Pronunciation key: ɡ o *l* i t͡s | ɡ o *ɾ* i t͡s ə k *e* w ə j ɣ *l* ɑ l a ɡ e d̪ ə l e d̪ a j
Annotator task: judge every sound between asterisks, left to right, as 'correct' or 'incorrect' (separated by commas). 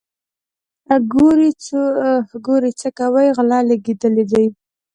incorrect, correct, incorrect, correct